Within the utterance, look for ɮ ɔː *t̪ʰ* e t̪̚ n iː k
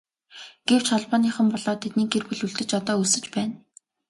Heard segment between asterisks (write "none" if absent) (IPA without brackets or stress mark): t̪ʰ